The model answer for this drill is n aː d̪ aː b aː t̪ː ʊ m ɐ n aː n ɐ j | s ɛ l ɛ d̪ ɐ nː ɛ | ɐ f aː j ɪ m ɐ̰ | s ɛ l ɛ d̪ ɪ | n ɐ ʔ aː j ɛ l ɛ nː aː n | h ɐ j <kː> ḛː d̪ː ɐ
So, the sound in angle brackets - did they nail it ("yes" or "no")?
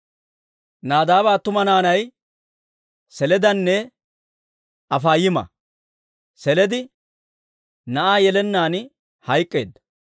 no